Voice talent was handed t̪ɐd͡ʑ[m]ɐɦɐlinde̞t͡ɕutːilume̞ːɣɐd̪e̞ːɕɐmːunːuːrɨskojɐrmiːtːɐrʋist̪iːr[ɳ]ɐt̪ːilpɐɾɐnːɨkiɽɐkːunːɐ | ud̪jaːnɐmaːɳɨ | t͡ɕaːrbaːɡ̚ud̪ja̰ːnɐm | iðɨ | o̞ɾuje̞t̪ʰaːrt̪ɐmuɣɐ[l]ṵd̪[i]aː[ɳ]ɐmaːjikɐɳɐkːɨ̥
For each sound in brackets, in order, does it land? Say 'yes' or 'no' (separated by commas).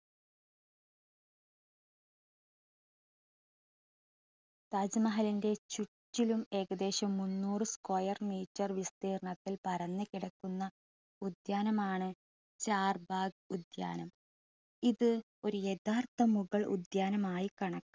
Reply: yes, yes, no, no, no